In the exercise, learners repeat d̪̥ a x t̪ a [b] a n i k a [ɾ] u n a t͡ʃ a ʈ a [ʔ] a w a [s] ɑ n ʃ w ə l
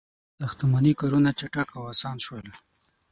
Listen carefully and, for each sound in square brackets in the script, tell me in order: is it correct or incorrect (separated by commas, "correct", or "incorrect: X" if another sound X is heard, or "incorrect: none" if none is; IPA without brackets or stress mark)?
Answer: incorrect: m, correct, incorrect: k, correct